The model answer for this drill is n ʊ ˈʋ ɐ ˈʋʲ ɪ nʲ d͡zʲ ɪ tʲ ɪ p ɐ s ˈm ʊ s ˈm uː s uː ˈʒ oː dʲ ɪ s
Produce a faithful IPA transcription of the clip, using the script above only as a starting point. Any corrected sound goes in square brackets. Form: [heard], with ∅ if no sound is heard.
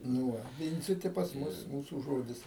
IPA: n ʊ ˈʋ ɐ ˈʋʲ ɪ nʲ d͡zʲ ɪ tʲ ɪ p ɐ s ˈm ʊ s ˈm uː s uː ˈʒ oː dʲ ɪ s